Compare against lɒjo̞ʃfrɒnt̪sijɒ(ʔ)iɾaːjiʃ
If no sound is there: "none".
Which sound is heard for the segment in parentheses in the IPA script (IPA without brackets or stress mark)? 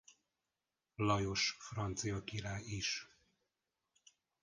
k